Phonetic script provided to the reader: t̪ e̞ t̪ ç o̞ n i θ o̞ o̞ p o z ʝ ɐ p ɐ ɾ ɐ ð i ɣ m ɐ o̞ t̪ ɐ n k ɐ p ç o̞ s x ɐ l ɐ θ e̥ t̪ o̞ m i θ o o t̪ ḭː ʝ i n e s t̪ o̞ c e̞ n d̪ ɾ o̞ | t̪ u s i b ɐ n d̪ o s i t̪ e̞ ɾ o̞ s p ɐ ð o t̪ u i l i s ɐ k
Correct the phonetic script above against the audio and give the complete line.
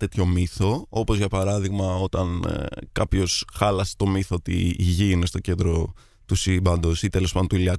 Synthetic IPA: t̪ e̞ t̪ ç o̞ m i θ o̞ o̞ p o z ʝ ɐ p ɐ ɾ ɐ ð i ɣ m ɐ o̞ t̪ ɐ n k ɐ p ç o̞ s x ɐ l ɐ s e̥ t̪ o̞ m i θ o o t̪ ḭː ʝ i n e s t̪ o̞ c e̞ n d̪ ɾ o̞ | t̪ u s i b ɐ n d̪ o s i t̪ e̞ l o̞ s p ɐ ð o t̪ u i l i ɐ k